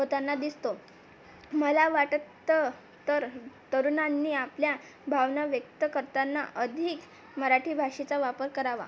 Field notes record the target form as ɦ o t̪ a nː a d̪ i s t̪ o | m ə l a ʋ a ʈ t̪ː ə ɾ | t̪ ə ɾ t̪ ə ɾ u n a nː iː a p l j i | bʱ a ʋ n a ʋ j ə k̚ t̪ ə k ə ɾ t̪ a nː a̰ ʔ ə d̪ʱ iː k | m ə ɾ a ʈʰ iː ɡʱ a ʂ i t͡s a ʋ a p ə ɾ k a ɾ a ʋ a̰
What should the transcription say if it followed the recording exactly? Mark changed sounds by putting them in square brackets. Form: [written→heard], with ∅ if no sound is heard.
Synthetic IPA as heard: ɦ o t̪ a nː a d̪ i s t̪ o | m ə l a ʋ a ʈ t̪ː ə [ɾ→∅] | t̪ ə ɾ t̪ ə ɾ u n a nː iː a p l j [i→a] | bʱ a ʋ n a ʋ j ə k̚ t̪ ə k ə ɾ t̪ a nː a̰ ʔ ə d̪ʱ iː k | m ə ɾ a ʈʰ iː [ɡʱ→bʱ] a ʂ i t͡s a ʋ a p ə ɾ k [a→ə] ɾ a ʋ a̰